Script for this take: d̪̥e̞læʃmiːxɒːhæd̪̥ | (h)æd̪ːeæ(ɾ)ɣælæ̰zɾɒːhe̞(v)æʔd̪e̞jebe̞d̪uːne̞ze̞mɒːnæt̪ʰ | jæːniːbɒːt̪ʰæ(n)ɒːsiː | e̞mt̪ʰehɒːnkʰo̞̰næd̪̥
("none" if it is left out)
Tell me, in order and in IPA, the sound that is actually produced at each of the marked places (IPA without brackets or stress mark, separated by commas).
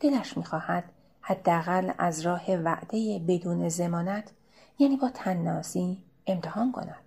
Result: h, none, v, nː